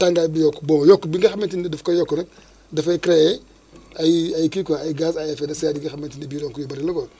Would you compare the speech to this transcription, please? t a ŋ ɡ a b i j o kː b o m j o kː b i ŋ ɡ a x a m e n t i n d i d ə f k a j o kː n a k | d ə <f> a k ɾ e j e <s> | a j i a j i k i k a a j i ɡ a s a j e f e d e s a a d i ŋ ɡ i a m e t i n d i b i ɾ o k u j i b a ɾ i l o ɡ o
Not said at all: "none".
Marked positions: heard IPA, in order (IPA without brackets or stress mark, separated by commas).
f, none